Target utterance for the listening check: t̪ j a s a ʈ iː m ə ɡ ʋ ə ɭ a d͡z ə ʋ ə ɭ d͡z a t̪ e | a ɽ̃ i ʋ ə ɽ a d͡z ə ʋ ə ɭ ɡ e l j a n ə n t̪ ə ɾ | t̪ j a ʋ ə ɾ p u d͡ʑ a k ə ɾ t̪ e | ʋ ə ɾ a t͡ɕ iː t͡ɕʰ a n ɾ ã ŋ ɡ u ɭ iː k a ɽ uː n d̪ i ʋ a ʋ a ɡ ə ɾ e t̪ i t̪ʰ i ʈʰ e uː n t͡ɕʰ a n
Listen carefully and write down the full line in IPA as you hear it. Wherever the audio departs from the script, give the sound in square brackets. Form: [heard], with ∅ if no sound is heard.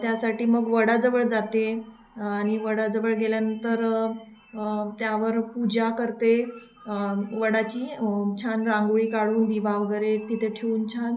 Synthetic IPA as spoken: t̪ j a s a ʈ iː m ə ɡ ʋ ə [ɽ] a d͡z ə ʋ ə ɭ d͡z a t̪ e | a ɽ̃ i ʋ ə ɽ a d͡z ə ʋ ə ɭ ɡ e l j a n ə n t̪ ə ɾ | t̪ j a ʋ ə ɾ p u d͡ʑ a k ə ɾ t̪ e | ʋ ə [ɽ] a t͡ɕ iː t͡ɕʰ a n ɾ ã ŋ ɡ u ɭ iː k a ɽ uː n d̪ i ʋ a ʋ [ə] ɡ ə ɾ e t̪ i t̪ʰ [e] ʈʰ e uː n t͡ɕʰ a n